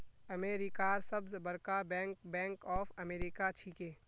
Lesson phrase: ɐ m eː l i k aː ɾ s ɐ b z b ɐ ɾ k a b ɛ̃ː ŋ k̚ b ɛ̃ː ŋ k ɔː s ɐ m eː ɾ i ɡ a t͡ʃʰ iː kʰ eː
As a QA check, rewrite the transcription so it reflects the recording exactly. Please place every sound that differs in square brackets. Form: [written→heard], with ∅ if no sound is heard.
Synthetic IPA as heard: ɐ m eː [l→ɾ] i k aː ɾ s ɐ b z b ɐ ɾ k a b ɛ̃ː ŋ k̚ b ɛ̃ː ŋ k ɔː [s→f] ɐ m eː ɾ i [ɡ→k] a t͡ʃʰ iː [kʰ→k] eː